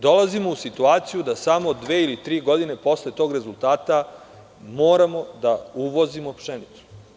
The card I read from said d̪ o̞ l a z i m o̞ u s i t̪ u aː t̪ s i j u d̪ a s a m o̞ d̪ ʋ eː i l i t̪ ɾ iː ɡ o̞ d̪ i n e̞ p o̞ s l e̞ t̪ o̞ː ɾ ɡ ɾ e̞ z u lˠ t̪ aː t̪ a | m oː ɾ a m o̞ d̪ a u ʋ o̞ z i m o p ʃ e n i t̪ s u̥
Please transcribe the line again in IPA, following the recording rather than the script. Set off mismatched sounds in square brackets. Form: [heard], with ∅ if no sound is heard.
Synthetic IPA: d̪ o̞ l a z i m o̞ u s i t̪ u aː t̪ s i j u d̪ a s a m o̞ d̪ ʋ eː i l i t̪ ɾ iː ɡ o̞ d̪ i n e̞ p o̞ s l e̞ t̪ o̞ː [∅] ɡ ɾ e̞ z u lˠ t̪ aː t̪ a | m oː ɾ a m o̞ d̪ a u ʋ o̞ z i m o p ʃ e n i t̪ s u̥